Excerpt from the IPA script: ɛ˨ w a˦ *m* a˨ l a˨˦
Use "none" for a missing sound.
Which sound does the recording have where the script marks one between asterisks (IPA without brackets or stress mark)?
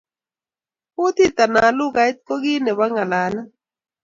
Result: ŋ